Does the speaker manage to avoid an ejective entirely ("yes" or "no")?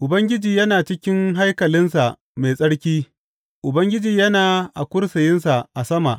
no